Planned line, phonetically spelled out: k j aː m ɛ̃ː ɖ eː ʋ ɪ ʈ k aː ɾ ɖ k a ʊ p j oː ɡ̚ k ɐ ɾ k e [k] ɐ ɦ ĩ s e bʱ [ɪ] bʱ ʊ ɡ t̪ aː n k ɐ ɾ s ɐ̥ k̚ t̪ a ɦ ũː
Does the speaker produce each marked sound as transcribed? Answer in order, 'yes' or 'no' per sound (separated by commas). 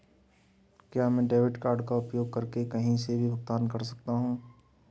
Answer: yes, no